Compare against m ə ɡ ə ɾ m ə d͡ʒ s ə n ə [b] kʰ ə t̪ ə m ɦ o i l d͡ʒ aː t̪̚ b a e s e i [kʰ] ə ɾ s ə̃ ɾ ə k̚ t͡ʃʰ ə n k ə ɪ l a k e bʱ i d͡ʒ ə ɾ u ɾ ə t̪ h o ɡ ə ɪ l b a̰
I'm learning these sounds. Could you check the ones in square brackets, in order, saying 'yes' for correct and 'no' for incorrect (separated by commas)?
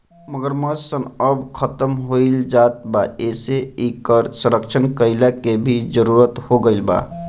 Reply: yes, no